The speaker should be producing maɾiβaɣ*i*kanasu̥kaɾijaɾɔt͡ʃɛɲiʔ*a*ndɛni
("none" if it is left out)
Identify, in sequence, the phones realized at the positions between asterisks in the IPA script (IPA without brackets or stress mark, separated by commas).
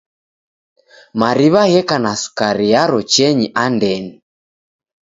ɛ, a